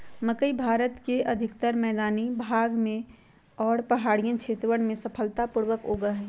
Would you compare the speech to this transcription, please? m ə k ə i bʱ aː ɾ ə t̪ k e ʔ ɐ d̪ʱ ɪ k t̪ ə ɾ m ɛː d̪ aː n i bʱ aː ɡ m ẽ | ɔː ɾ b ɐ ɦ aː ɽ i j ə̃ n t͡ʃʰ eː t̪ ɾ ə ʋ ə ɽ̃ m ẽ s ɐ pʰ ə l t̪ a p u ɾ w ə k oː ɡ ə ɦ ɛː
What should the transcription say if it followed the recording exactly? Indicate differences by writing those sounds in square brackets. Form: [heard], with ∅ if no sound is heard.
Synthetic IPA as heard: m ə k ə i bʱ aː ɾ ə t̪ k e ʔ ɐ d̪ʱ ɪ k t̪ ə ɾ m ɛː d̪ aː n i bʱ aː ɡ m ẽ | ɔː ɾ [p] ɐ ɦ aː ɽ i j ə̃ n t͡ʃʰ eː t̪ ɾ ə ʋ ə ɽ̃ m ẽ s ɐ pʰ ə l t̪ a p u ɾ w ə k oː ɡ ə ɦ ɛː